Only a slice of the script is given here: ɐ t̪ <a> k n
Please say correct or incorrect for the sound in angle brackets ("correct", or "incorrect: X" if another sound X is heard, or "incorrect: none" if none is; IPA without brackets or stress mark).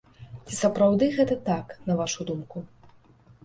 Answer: correct